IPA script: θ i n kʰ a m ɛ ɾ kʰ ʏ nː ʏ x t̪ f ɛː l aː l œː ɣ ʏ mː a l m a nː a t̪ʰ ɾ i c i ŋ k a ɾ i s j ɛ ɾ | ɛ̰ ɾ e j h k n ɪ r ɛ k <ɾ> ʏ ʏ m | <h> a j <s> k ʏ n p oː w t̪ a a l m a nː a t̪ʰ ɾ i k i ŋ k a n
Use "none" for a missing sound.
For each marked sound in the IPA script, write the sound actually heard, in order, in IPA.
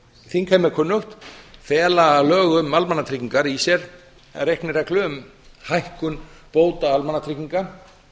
l, h, h

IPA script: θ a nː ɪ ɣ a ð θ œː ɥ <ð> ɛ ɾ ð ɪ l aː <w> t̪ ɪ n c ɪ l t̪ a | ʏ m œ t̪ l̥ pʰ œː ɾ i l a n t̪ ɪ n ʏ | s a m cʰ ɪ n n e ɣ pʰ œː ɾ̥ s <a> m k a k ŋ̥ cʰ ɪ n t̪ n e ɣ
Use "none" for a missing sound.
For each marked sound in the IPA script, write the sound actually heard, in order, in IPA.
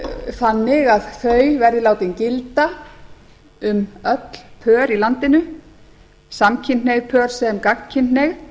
v, w, ɛ

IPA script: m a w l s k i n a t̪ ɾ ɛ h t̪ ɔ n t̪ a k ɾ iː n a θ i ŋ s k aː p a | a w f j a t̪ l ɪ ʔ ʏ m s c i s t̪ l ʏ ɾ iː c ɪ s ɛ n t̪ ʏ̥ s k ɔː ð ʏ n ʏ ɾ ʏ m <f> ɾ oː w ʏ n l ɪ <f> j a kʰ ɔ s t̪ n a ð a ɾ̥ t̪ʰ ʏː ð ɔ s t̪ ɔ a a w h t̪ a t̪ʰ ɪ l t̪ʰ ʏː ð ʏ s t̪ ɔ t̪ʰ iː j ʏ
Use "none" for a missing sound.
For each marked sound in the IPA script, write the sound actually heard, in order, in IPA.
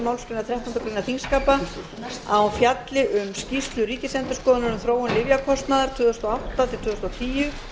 θ, v

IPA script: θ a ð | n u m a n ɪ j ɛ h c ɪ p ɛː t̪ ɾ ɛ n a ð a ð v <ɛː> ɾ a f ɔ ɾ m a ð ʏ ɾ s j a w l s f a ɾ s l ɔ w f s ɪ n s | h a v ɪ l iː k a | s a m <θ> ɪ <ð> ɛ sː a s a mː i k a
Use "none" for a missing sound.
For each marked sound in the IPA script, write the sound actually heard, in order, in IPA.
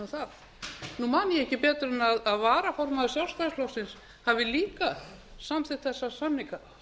aː, θ, θ

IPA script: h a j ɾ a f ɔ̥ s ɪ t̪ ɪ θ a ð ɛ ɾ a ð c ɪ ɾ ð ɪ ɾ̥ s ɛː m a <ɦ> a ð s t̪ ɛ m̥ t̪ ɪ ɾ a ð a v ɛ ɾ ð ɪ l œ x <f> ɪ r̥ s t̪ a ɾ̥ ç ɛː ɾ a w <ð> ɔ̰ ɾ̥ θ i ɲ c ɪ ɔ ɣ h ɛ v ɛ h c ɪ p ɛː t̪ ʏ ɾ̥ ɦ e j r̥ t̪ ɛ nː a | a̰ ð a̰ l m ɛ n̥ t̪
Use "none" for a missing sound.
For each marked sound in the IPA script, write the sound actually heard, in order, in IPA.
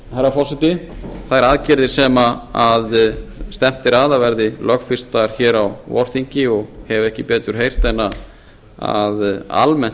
none, f, v

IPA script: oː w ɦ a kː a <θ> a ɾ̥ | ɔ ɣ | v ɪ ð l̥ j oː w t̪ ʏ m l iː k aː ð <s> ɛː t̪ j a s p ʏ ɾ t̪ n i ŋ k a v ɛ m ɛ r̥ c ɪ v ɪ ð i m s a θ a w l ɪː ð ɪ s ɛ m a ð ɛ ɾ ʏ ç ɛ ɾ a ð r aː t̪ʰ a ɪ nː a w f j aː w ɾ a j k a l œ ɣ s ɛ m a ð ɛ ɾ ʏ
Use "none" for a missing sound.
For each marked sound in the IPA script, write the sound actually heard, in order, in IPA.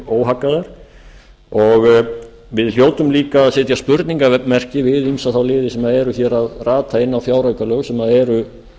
ð, s

